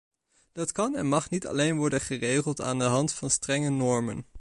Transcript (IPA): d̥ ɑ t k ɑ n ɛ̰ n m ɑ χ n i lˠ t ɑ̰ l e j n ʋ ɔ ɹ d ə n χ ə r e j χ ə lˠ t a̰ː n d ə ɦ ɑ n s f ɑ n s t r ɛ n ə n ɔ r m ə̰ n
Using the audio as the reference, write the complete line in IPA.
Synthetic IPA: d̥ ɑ t k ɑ n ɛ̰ n m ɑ χ n i t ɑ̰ l e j n ʋ ɔ ɹ d ə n χ ə r e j χ ə lˠ t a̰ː n d ə ɦ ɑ n t f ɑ n s t r ɛ ŋ ə n ɔ ɹ m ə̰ n